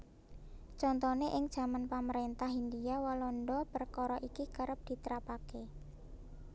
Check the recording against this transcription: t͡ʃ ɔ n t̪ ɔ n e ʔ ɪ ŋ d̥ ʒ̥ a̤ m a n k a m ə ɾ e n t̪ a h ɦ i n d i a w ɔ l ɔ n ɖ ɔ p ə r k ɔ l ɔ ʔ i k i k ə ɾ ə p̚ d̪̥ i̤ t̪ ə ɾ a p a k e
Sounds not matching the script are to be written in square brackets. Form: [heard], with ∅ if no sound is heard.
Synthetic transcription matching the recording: t͡ʃ ɔ n t̪ ɔ n e ʔ ɪ ŋ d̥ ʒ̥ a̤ m a n [p] a m ə ɾ e n t̪ a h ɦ i n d i a w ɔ l ɔ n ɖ ɔ p ə r k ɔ [ɾ] ɔ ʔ i k i k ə ɾ ə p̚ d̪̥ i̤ t̪ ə ɾ a p a k e